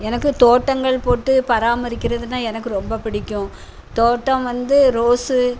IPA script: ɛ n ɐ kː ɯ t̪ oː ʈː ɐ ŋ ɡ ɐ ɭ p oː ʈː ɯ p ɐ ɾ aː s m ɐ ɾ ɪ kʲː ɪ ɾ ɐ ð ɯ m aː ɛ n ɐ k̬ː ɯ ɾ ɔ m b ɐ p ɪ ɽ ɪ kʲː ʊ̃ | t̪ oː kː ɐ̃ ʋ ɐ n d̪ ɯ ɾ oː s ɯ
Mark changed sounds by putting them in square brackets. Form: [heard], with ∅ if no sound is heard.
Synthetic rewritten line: ɛ n ɐ kː ɯ t̪ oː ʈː ɐ ŋ ɡ ɐ ɭ p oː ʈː ɯ p ɐ ɾ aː [∅] m ɐ ɾ ɪ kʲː ɪ ɾ ɐ ð ɯ [n] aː ɛ n ɐ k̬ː ɯ ɾ ɔ m b ɐ p ɪ ɽ ɪ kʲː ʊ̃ | t̪ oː [ʈː] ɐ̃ ʋ ɐ n d̪ ɯ ɾ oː s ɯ